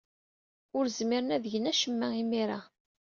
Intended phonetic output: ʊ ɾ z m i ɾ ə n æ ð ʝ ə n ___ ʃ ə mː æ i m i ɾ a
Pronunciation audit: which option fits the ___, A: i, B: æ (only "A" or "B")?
B